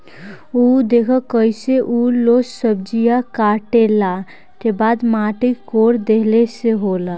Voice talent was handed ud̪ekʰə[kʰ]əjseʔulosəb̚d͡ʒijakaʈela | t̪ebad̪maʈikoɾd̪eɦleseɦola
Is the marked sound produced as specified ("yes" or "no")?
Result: no